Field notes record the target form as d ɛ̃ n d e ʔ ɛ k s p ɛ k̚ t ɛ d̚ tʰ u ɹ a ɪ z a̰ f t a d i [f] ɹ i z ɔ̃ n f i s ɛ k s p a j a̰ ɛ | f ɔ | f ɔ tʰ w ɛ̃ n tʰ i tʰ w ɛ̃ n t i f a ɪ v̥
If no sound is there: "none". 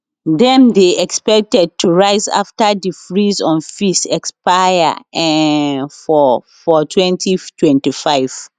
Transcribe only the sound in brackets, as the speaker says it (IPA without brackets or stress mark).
f